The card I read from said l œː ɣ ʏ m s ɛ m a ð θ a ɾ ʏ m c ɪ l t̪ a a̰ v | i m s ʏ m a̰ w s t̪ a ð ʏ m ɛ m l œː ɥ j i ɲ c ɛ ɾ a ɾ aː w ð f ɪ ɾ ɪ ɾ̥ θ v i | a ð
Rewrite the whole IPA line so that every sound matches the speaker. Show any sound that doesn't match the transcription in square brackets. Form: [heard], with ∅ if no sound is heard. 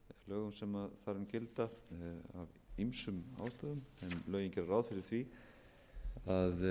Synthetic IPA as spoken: l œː ɣ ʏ m s ɛ m a ð θ a ɾ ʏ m c ɪ l t̪ a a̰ v | i m s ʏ m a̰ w s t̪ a ð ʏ m ɛ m l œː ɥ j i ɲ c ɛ ɾ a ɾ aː w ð f ɪ ɾ ɪ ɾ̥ θ v i | a ð

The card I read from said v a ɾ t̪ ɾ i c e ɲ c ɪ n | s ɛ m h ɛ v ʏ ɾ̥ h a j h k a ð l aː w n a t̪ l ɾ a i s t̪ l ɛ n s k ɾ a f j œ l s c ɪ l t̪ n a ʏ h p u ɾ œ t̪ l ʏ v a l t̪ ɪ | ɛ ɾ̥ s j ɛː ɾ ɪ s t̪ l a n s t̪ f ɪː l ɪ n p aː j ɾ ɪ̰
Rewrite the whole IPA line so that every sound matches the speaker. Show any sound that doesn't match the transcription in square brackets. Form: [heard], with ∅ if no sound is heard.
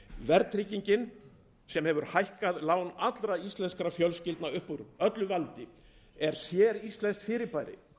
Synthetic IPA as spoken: v [ɛ] ɾ t̪ ɾ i c [i] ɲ c ɪ n | s ɛ m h ɛ v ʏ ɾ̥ h a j h k a ð l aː w n a t̪ l ɾ a i s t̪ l ɛ n s k ɾ a f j œ l s c ɪ l t̪ n a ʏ h p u ɾ œ t̪ l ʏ v a l t̪ ɪ | ɛ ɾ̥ s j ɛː ɾ [i] s t̪ l [ɛ] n s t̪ f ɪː [ɾ] ɪ [∅] p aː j ɾ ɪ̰

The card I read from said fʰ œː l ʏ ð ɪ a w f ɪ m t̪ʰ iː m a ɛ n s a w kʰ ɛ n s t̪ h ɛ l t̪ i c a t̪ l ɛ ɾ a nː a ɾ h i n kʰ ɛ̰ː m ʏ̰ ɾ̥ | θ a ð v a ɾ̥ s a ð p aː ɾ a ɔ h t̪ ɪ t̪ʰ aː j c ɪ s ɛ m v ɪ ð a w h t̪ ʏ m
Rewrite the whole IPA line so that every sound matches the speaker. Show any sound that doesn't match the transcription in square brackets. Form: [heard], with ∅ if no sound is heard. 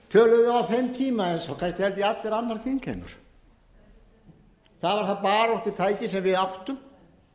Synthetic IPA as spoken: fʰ œː l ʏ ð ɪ a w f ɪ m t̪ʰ iː m a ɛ n s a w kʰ [a] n s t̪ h ɛ l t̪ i [∅] a t̪ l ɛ ɾ a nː a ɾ [θ] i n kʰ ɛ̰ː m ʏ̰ ɾ̥ | θ a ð v a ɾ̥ [θ] a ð p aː ɾ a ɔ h t̪ ɪ t̪ʰ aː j c ɪ s ɛ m v ɪ ð a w h t̪ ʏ m

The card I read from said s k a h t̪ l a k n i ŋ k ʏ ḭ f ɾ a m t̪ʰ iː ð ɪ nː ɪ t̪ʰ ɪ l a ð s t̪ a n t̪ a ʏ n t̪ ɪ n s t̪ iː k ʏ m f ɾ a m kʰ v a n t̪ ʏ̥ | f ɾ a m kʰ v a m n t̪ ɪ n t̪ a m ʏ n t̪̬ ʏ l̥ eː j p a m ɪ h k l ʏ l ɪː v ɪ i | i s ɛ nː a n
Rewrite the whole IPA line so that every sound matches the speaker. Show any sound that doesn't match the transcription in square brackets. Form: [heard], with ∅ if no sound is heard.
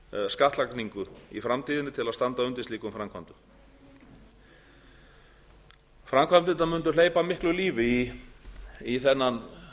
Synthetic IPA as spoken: s k a h t̪ l a k n i ŋ k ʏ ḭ f ɾ a m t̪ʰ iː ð ɪ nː ɪ t̪ʰ ɪ l a ð s t̪ a n t̪ a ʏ n t̪ ɪ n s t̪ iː k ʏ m f ɾ a m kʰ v a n t̪ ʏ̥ | f ɾ a m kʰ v a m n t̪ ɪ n t̪ a m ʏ n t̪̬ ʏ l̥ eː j p a m ɪ h k l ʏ l [iː] v ɪ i | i [θ] ɛ nː a n

